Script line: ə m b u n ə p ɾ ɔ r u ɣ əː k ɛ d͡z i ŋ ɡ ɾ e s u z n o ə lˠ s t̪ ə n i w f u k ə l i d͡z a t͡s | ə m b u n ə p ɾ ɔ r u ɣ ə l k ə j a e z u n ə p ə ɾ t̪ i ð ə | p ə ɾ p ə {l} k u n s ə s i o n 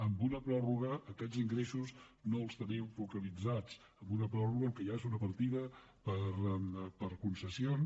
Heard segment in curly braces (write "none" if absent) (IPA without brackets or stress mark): ɾ